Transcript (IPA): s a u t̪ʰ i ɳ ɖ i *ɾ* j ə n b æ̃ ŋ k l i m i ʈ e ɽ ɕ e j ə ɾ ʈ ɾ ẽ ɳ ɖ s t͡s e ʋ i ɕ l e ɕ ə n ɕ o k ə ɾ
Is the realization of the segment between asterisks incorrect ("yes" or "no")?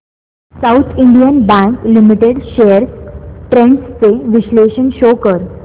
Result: yes